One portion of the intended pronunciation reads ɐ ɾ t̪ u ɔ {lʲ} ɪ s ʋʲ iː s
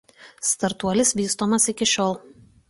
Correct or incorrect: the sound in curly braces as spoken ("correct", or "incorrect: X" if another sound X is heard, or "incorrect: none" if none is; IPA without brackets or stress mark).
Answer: correct